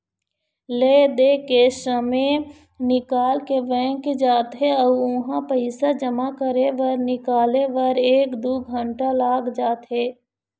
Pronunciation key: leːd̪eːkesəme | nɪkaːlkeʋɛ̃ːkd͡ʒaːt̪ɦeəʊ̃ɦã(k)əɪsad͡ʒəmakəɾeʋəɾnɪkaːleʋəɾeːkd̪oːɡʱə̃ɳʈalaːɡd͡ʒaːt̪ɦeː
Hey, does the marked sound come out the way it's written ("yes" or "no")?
no